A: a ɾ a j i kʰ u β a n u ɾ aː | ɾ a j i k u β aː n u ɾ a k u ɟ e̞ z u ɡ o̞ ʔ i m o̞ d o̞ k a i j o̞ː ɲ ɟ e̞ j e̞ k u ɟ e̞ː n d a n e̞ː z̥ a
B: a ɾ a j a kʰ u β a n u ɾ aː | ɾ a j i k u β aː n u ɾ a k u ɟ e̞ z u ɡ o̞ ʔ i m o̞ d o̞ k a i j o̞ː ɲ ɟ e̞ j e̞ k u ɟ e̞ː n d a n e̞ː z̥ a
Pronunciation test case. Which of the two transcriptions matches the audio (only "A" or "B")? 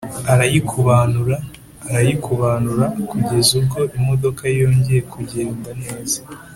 A